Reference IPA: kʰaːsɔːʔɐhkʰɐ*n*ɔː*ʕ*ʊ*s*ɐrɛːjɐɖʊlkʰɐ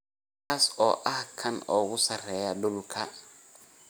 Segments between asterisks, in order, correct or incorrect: correct, incorrect, correct

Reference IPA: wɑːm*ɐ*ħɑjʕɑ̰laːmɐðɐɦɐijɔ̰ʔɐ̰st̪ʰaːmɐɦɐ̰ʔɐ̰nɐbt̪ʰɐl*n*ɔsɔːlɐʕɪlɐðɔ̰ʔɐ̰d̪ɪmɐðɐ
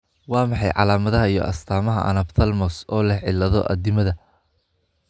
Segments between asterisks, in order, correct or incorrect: incorrect, incorrect

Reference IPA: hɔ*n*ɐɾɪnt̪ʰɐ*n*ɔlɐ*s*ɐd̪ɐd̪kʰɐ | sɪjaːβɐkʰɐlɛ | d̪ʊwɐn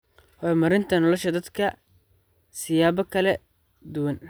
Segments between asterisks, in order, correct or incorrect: incorrect, correct, incorrect

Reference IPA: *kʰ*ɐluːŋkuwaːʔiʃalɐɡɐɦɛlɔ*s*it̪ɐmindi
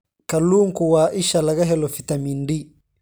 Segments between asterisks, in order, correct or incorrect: incorrect, incorrect

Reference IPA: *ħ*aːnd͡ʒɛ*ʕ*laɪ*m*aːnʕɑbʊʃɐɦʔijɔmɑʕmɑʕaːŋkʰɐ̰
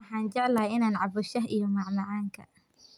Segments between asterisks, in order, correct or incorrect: correct, correct, incorrect

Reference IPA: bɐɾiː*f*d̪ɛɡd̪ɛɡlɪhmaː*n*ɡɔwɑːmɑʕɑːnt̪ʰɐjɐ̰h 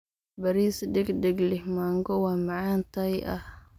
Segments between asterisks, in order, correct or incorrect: incorrect, incorrect

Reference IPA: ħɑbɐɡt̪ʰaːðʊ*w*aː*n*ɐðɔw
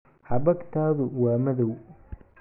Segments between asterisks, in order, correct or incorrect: correct, incorrect

